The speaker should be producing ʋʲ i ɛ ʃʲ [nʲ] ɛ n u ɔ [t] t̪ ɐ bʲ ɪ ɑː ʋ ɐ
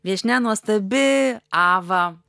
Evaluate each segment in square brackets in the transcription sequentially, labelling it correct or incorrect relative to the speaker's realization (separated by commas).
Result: correct, incorrect